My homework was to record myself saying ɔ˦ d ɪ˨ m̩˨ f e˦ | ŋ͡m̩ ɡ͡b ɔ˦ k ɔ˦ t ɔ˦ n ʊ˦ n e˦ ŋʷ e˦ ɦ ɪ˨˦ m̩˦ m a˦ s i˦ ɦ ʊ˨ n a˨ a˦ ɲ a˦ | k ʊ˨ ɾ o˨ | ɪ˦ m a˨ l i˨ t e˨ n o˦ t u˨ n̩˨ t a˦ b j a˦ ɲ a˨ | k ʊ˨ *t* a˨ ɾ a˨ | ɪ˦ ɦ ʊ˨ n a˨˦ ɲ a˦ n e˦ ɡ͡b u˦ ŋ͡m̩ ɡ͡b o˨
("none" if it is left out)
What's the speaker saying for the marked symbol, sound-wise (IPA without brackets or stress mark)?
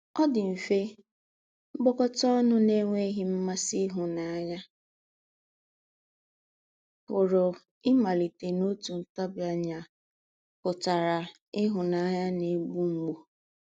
t